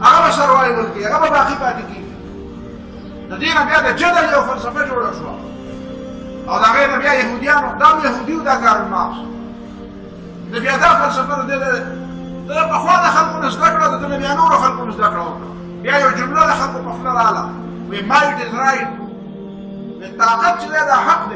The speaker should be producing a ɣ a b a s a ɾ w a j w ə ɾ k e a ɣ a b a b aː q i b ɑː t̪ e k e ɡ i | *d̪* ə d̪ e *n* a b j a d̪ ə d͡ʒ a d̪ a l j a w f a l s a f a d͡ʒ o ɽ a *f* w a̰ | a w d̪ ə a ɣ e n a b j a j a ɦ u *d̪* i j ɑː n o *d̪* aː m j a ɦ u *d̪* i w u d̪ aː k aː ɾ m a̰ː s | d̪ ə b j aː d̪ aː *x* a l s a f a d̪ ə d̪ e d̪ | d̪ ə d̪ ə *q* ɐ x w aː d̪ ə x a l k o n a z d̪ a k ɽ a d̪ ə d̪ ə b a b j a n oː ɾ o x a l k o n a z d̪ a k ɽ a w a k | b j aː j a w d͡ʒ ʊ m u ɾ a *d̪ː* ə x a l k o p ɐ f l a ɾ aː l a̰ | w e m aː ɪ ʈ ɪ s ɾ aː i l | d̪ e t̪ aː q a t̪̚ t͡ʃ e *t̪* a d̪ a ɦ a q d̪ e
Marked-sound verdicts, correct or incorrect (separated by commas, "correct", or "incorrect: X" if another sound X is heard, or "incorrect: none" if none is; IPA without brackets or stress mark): correct, correct, incorrect: ʃ, correct, correct, correct, incorrect: f, incorrect: p, incorrect: d̪, incorrect: d̪